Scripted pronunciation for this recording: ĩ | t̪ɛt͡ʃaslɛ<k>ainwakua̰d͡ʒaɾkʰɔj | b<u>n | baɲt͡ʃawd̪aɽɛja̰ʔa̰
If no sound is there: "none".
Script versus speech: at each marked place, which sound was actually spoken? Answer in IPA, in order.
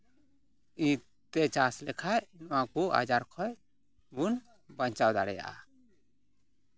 kʰ, u

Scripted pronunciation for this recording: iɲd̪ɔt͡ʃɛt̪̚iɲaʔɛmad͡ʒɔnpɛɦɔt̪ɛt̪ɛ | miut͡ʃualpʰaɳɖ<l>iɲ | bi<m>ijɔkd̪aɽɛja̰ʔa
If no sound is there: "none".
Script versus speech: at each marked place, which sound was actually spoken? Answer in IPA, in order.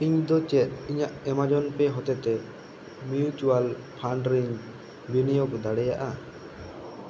ɾ, n

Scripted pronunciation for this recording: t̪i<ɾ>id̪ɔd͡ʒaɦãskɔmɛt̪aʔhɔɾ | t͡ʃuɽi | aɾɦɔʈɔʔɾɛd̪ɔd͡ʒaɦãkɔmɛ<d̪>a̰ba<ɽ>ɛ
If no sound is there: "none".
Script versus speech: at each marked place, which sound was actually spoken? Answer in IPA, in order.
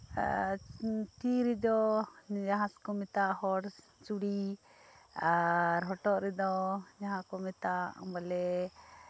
ɾ, t̪, l

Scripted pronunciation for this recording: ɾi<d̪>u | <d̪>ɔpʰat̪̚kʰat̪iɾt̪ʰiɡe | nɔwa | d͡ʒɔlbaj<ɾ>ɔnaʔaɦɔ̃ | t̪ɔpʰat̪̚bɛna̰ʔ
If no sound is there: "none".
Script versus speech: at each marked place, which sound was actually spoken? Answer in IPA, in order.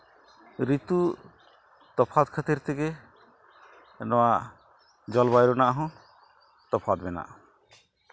t̪, t̪, ɾ

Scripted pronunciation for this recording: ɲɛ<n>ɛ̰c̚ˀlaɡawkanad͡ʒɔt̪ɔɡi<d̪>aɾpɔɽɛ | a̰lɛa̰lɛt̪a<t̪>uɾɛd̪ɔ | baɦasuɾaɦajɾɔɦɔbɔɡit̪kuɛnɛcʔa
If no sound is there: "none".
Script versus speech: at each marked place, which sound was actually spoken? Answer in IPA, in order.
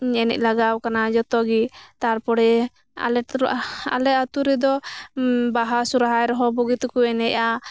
n, t̪, t̪

